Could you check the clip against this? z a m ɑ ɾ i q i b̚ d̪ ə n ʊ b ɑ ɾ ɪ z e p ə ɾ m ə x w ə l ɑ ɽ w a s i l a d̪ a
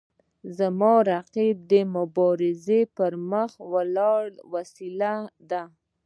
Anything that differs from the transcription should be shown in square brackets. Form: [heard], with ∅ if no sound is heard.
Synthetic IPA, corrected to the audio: z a m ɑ ɾ [a] q i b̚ d̪ ə [m] ʊ b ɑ ɾ ɪ z e p ə ɾ m ə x w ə l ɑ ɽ w a s i l a d̪ a